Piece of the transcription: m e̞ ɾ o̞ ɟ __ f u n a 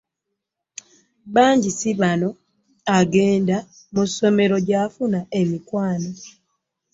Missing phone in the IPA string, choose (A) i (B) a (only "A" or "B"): B